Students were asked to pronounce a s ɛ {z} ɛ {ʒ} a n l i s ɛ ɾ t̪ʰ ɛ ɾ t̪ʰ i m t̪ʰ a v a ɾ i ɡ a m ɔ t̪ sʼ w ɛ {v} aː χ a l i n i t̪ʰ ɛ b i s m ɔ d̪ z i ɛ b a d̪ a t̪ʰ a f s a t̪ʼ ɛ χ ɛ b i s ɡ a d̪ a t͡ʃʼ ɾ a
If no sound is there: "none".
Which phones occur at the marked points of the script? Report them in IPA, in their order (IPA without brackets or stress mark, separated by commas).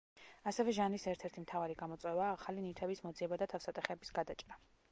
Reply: v, ʒ, v